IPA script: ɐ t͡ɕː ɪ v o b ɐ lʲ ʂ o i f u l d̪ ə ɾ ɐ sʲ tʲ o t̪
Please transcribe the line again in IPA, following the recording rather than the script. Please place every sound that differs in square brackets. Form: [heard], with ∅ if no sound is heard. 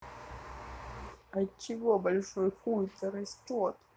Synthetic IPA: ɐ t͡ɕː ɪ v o b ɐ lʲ ʂ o [j] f u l [t̪] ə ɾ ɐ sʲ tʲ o t̪